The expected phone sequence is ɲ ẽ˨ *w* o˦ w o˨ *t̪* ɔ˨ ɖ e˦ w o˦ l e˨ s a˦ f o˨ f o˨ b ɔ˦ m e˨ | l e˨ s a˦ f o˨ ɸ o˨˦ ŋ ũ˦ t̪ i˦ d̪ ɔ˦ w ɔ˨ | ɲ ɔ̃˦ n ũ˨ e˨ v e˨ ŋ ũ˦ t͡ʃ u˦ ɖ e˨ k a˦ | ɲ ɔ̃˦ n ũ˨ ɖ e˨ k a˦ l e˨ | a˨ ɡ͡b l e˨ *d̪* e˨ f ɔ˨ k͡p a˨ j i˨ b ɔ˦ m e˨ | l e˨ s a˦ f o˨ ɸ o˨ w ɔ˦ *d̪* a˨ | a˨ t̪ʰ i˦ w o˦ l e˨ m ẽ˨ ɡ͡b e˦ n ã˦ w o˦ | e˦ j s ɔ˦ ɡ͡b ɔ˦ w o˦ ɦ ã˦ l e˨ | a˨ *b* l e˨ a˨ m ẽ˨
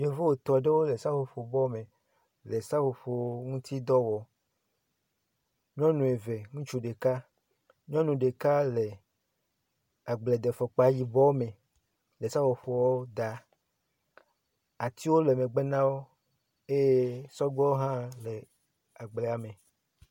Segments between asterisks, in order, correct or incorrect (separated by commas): incorrect, correct, correct, correct, incorrect